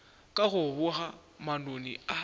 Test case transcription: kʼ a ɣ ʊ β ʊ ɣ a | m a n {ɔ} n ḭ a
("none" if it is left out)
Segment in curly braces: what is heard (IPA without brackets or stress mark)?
o